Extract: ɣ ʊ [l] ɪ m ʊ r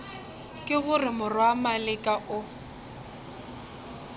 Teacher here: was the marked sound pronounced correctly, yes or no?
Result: no